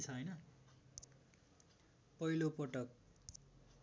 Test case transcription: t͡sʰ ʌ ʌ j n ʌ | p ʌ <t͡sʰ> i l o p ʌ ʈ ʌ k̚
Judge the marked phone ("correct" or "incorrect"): incorrect